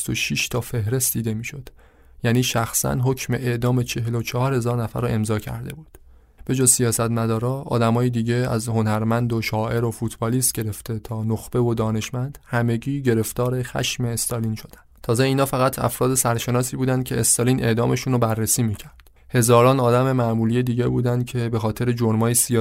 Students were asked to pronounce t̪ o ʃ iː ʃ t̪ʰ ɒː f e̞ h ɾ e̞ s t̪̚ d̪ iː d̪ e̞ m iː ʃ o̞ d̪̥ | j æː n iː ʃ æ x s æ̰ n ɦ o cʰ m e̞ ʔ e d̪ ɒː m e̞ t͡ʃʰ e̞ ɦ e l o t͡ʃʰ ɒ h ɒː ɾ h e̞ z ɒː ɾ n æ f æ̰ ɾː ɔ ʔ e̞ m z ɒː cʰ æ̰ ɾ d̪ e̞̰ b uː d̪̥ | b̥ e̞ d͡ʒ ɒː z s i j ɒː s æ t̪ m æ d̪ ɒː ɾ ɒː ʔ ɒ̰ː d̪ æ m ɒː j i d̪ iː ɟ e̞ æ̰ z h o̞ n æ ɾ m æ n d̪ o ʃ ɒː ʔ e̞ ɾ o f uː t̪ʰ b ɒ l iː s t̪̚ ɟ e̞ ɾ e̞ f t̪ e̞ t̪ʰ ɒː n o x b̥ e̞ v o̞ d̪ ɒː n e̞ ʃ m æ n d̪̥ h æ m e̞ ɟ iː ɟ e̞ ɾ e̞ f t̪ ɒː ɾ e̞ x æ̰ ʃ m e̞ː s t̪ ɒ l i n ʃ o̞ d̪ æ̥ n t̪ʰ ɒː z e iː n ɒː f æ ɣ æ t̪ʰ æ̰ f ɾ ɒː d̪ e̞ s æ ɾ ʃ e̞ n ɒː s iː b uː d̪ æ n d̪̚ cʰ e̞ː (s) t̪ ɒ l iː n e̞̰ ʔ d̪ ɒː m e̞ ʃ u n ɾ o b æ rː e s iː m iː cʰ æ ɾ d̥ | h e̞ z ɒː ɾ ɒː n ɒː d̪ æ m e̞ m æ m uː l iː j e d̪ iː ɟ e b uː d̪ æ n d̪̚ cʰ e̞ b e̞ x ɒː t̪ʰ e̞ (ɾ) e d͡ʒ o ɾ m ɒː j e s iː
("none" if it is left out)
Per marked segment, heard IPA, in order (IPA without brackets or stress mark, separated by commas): s, ɾ